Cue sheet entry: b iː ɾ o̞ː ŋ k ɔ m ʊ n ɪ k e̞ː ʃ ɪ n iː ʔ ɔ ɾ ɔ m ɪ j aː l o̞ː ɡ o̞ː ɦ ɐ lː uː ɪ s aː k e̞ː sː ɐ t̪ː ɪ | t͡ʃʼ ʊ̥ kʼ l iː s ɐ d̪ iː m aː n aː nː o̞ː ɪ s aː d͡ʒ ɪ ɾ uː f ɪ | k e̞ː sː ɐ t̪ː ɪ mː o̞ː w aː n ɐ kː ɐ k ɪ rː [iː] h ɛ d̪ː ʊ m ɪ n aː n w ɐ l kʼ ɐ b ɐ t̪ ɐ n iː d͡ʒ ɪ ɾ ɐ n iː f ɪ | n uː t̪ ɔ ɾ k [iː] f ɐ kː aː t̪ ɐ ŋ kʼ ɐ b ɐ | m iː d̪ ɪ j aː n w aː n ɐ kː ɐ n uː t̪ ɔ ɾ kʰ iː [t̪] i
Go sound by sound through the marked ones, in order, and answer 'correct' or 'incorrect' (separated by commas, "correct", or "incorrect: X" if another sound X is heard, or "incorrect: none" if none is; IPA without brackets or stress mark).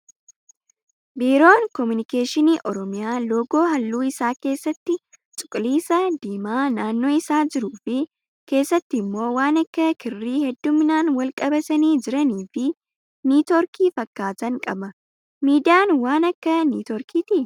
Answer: correct, correct, correct